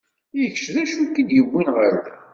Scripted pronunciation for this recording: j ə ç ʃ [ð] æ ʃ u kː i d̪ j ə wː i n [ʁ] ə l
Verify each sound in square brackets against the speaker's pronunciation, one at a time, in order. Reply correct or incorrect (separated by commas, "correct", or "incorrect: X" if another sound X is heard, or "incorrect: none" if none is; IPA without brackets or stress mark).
correct, correct